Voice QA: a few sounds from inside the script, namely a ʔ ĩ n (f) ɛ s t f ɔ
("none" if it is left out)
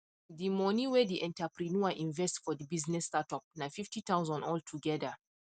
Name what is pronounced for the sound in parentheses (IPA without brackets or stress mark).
v